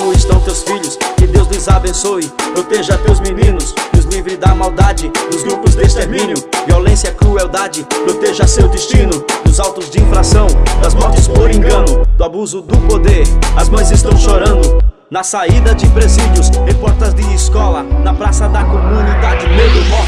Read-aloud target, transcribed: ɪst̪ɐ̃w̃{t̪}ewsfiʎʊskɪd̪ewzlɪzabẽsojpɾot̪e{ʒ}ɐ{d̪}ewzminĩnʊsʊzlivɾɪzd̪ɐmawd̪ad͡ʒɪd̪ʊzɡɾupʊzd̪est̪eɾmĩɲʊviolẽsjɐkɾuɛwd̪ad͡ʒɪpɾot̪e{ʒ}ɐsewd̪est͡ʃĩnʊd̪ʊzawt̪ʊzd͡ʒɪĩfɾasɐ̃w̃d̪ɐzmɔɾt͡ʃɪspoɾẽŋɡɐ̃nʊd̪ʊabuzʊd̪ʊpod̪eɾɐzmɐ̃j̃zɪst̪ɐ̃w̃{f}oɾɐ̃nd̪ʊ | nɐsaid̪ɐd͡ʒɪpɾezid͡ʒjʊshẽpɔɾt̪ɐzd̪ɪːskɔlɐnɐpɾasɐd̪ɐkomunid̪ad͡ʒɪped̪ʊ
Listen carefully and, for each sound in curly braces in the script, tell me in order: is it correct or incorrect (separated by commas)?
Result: correct, correct, incorrect, correct, incorrect